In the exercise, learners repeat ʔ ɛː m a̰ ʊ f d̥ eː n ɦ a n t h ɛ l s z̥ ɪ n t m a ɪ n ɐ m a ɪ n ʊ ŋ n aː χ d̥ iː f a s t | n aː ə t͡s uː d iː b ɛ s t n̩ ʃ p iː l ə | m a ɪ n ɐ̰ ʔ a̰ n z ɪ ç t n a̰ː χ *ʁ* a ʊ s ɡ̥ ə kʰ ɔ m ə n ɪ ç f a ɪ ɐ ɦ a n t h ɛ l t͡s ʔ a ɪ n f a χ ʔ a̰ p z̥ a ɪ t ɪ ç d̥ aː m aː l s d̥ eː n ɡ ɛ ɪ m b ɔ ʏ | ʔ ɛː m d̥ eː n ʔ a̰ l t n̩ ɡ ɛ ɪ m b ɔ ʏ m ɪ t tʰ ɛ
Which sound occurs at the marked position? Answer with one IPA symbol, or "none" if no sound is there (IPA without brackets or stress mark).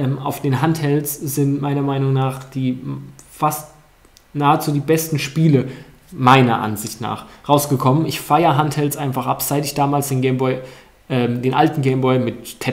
ʁ